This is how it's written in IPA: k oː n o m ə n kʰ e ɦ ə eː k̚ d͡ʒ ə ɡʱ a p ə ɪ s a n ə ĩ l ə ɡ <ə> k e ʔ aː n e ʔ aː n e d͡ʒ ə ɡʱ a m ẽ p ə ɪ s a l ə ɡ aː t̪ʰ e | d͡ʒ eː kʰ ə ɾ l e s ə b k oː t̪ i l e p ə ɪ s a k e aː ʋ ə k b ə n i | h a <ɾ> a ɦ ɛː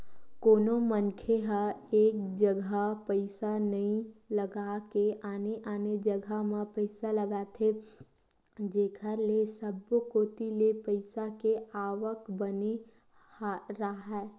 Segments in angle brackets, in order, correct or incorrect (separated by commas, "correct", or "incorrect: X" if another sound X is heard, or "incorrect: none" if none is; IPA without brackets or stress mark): incorrect: a, correct